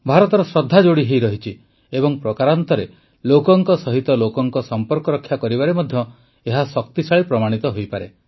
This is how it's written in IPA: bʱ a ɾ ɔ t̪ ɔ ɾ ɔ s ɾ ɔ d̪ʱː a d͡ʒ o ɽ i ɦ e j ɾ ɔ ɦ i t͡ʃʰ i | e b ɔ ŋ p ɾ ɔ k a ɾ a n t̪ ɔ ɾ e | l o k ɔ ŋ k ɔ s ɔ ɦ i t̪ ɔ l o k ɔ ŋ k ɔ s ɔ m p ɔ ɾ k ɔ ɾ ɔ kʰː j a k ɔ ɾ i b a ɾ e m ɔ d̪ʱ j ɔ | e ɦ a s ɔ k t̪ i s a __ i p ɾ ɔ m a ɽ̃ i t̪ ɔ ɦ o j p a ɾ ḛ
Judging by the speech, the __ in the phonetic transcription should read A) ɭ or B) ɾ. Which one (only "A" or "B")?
A